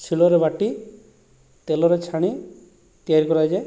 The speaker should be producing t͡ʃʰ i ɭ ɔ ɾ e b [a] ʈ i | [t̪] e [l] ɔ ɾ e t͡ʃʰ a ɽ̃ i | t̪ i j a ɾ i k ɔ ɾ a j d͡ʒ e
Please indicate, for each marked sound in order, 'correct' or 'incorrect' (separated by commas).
correct, correct, correct